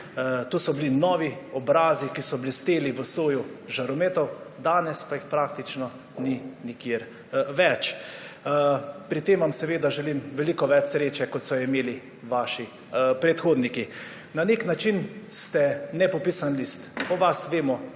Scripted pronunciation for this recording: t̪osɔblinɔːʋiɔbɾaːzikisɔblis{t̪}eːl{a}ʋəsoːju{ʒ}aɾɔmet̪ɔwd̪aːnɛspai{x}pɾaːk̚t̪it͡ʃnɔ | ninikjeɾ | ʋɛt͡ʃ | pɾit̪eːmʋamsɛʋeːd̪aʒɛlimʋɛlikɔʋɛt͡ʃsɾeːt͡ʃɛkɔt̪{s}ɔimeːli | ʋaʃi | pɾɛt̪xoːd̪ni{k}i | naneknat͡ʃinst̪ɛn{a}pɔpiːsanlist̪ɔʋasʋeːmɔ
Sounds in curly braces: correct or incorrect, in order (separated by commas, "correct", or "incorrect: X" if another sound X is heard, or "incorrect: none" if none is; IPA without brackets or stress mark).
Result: correct, incorrect: i, correct, correct, correct, correct, incorrect: ɛ